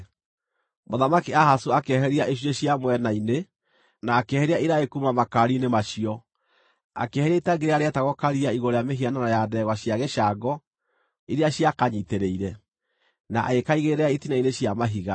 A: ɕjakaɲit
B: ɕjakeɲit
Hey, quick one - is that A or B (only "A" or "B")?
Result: A